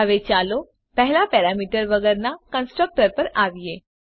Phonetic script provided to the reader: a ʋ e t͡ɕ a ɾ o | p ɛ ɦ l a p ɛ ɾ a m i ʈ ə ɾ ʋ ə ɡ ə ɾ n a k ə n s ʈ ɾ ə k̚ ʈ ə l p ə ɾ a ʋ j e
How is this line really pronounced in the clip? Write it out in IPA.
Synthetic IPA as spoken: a ʋ e t͡ɕ a l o | p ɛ ɦ l a p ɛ ɾ a m i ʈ ə ɾ ʋ ə ɡ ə ɾ n a k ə n s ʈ ɾ ə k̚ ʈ ə ɾ p ə ɾ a ʋ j e